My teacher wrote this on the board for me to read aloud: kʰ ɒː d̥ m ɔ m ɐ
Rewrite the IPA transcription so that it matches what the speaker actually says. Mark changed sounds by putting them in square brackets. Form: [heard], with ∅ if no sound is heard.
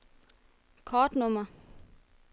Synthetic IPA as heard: kʰ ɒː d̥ [n] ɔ m ɐ